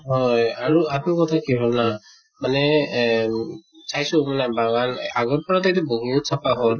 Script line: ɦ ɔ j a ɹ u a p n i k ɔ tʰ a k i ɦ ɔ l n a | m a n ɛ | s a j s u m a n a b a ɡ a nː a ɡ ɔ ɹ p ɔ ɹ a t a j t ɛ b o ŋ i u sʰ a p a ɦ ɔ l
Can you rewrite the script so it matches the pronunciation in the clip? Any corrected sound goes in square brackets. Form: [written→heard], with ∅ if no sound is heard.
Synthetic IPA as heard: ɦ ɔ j a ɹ u a [p→t] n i k ɔ tʰ a k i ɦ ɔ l n a | m a n ɛ | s a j s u m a n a b a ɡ a [nː→n] a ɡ ɔ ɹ p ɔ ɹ a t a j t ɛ b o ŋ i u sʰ a p a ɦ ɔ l